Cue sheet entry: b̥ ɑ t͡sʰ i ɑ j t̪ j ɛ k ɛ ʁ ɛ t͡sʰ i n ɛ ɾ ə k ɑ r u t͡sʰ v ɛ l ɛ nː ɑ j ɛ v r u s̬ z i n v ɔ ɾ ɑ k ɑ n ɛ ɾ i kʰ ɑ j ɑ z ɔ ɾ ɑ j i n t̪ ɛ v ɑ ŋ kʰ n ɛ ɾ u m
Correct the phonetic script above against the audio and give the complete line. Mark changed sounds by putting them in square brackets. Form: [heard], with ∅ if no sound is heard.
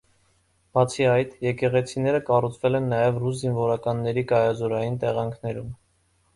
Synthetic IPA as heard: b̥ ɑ t͡sʰ i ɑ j t̪ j ɛ k ɛ ʁ ɛ t͡sʰ i n ɛ ɾ ə k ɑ r u t͡sʰ v ɛ l ɛ nː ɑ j ɛ v r u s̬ z i n v ɔ ɾ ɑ k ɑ [nː] ɛ ɾ i [k] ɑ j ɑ z ɔ ɾ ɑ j i n t̪ ɛ [ʁ] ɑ ŋ kʰ n ɛ ɾ u m